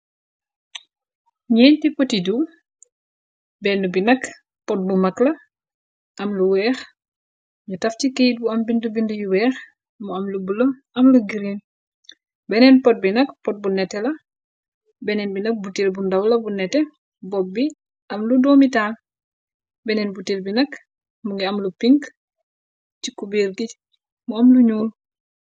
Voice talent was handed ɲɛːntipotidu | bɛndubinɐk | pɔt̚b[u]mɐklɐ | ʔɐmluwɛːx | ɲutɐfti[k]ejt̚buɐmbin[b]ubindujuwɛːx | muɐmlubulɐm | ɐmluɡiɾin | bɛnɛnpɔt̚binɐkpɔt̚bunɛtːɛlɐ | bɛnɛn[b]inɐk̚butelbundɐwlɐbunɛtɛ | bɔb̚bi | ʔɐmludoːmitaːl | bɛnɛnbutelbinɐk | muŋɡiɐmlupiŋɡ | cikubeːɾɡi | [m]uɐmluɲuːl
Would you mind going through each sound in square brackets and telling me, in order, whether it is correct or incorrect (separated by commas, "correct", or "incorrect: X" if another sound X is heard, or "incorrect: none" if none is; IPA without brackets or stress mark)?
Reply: correct, correct, incorrect: d, correct, correct